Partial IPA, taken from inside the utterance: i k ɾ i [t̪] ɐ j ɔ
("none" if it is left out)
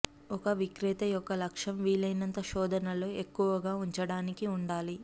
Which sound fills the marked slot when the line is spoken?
t̪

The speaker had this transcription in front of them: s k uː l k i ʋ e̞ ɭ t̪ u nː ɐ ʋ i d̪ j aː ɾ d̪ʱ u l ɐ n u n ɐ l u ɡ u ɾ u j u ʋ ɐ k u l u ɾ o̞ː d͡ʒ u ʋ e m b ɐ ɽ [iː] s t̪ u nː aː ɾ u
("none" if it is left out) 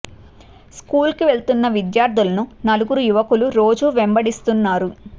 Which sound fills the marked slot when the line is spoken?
i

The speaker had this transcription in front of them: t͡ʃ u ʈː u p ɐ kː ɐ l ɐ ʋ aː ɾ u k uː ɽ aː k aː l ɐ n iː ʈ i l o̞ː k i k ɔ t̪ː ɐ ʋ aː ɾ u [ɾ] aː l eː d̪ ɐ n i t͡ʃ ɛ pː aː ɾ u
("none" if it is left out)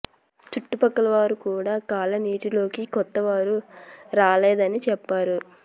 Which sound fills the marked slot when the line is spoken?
ɾ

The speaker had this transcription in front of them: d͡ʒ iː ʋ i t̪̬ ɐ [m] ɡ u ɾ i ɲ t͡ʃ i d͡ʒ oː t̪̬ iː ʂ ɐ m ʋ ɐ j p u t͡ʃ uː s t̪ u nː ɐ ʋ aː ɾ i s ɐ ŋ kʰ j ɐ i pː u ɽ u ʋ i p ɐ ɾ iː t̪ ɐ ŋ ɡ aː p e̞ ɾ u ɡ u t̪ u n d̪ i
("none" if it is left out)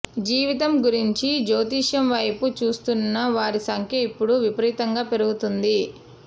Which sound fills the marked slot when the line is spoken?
m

